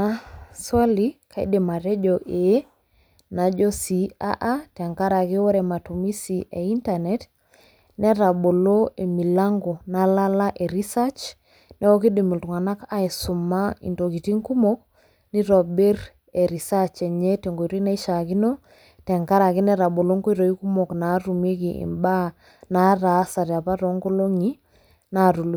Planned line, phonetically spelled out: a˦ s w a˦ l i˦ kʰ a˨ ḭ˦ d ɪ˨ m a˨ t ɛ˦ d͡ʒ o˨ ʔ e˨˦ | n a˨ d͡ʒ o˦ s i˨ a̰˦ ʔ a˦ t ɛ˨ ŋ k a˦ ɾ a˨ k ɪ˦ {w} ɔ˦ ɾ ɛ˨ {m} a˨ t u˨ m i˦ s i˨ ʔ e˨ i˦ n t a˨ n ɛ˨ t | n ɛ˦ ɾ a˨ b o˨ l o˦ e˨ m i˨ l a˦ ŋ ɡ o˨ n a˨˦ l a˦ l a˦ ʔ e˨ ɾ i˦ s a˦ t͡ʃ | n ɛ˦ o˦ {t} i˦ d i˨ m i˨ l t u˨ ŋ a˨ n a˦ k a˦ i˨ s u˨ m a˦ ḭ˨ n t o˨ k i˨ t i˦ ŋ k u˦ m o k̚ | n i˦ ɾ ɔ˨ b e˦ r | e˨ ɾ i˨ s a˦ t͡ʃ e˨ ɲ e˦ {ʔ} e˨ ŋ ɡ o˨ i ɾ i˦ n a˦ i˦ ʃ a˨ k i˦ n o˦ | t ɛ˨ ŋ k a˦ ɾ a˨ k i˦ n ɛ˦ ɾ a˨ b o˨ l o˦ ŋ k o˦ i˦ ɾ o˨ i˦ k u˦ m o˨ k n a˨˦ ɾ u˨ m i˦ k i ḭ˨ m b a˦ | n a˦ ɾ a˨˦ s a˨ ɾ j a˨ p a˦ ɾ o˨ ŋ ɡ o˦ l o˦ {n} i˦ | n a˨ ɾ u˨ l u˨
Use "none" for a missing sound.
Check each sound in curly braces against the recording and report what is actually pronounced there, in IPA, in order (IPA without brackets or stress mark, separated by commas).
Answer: w, m, k, t, ŋ